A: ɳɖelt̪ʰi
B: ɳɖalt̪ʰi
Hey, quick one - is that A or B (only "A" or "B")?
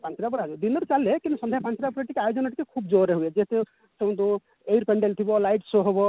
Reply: A